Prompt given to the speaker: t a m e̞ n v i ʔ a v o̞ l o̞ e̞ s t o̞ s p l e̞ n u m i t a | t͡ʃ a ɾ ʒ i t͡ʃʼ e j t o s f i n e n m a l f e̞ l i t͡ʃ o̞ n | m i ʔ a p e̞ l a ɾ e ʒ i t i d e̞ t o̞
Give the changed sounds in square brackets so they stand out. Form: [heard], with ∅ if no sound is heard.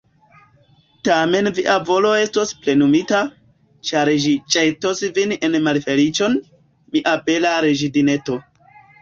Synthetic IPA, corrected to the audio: t a m e̞ n v i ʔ a v o̞ l o̞ e̞ s t o̞ s p l e̞ n u m i t a | t͡ʃ a ɾ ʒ i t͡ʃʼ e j t o s [v] i n e n m a l f e̞ l i t͡ʃ o̞ n | m i ʔ a p e̞ l a ɾ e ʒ i [d] i [n] e̞ t o̞